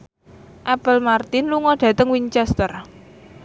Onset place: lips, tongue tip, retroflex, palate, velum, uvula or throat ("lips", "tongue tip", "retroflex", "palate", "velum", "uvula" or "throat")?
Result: throat